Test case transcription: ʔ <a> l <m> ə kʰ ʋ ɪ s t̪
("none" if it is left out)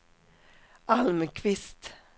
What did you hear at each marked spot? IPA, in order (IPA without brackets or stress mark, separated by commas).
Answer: ɑ, m